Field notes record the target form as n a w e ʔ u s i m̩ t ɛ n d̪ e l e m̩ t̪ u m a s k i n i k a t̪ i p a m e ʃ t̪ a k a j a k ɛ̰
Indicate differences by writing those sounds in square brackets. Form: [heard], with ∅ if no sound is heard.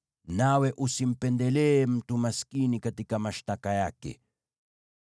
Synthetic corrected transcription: n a w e ʔ u s i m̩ [p] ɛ n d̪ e l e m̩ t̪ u m a s k i n i k a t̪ i [k] a m [a] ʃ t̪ a k a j a k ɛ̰

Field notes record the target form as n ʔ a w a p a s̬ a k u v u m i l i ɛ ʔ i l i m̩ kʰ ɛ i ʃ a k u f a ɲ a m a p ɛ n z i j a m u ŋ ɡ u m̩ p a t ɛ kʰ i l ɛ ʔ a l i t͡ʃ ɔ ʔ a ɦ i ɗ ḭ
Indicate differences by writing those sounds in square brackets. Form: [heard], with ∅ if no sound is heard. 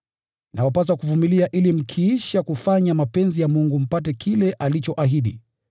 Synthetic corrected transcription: n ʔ a w a p a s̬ a k u v u m i l i [a] ʔ i l i m̩ kʰ [i] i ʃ a k u f a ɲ a m a p ɛ n z i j a m u ŋ ɡ u m̩ p a t ɛ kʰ i l ɛ ʔ a l i t͡ʃ ɔ ʔ a ɦ i ɗ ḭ

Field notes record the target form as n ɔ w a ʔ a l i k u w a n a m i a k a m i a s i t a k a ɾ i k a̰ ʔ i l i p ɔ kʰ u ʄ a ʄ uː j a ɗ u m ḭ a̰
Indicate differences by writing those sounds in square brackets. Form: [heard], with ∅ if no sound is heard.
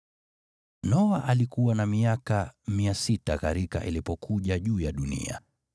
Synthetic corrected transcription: n ɔ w a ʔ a l i k u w a n a m i a k a m i a s i t a k a ɾ i k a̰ ʔ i l i p ɔ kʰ u ʄ a ʄ uː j a ɗ u [n] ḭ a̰

